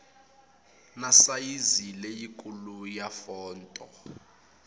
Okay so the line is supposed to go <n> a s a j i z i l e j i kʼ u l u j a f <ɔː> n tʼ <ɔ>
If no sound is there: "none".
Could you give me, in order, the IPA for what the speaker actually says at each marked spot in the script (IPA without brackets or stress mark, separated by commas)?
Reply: n, ɔː, ɔ